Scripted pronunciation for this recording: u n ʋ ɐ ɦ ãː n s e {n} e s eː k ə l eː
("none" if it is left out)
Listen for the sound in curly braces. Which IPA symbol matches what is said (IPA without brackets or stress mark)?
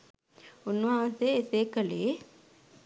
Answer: none